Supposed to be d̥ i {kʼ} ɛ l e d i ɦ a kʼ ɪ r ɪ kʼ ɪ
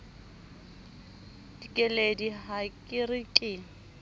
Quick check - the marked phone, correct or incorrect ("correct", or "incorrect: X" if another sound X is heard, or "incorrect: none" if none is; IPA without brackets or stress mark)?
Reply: correct